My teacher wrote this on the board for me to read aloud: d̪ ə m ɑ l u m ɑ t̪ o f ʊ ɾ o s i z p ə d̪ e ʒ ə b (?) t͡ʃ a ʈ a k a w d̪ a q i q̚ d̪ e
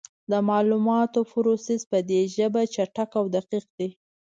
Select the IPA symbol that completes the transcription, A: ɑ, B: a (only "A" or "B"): B